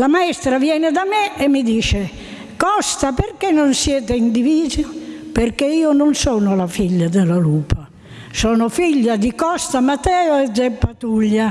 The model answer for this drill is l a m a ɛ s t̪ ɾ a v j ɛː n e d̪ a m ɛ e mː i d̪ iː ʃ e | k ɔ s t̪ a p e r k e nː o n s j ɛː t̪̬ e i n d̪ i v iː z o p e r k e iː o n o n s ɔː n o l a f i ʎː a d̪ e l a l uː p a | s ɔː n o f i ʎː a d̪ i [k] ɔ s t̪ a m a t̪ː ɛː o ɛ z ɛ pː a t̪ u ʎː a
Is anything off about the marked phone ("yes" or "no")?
no